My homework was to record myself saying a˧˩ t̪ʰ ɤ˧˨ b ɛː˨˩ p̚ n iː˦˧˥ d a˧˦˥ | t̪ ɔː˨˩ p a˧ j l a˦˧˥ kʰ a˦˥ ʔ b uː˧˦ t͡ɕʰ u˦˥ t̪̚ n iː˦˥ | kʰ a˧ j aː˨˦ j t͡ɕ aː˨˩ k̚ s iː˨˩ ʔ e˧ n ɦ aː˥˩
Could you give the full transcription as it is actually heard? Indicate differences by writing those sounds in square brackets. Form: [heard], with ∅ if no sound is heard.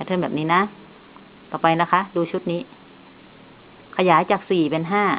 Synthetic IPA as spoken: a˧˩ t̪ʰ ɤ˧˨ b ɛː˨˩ p̚ n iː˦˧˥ [n] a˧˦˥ | t̪ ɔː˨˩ p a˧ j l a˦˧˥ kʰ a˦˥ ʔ [d] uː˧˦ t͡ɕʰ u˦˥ t̪̚ n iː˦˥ | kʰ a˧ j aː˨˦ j t͡ɕ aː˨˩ k̚ s iː˨˩ [p] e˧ n ɦ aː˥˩